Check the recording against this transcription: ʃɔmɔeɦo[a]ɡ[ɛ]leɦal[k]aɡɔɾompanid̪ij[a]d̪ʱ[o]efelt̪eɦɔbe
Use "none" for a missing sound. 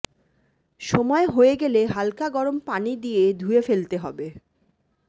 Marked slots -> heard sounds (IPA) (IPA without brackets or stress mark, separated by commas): e, e, k, e, u